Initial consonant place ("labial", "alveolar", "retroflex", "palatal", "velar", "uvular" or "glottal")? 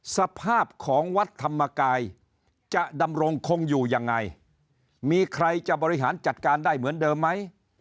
alveolar